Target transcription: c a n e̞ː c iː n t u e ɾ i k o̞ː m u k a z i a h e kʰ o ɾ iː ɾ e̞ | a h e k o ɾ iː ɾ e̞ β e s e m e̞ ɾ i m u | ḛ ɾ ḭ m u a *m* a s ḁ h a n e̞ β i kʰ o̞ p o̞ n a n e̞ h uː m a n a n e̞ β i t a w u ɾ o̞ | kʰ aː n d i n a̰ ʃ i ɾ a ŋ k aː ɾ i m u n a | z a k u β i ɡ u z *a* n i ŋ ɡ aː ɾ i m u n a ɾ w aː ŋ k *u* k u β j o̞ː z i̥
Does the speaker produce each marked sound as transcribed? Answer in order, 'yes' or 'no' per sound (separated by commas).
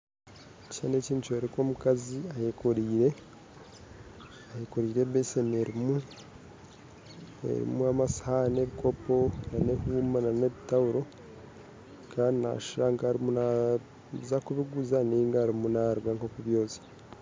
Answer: yes, yes, no